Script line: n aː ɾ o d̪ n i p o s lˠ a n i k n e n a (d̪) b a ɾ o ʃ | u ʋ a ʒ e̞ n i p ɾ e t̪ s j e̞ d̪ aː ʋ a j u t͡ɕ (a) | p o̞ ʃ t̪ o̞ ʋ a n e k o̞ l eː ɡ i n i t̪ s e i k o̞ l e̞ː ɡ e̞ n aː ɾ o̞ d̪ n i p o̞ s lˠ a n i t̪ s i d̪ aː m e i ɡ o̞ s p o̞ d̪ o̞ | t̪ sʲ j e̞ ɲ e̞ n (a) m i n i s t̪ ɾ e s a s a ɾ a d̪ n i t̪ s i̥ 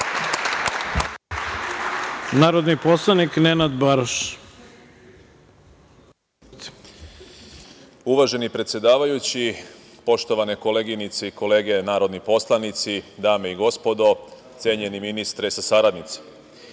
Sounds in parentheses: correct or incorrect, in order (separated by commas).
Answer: correct, incorrect, incorrect